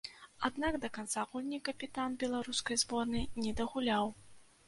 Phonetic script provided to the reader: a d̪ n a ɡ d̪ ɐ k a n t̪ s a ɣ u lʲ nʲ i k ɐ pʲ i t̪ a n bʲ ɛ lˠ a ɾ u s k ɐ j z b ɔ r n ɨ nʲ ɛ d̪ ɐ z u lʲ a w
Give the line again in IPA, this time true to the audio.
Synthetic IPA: a d̪ n a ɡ d̪ ɐ k a n t̪ s a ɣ u lʲ nʲ i k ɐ pʲ i t̪ a n bʲ ɛ lˠ a ɾ u s k ɐ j z b ɔ r n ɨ nʲ ɛ d̪ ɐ ɣ u lʲ a w